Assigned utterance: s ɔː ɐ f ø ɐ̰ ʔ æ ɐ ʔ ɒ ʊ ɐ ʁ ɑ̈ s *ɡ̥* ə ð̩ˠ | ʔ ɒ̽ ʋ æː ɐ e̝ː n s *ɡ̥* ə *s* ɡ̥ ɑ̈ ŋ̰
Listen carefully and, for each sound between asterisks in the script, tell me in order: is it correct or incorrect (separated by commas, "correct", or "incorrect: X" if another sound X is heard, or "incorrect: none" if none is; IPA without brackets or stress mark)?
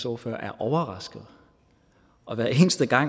correct, incorrect: d̥, incorrect: none